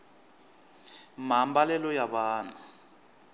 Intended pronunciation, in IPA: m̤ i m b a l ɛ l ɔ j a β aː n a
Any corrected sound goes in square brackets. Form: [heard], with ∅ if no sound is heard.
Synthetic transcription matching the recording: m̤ [a] m b a l ɛ l ɔ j a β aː n a